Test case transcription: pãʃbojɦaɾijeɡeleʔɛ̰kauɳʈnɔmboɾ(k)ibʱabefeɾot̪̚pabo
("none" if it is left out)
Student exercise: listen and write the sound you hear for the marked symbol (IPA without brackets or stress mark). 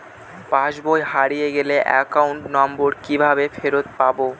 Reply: k